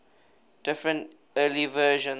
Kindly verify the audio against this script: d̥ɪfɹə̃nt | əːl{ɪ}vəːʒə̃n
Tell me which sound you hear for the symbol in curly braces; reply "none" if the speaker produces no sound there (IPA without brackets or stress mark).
i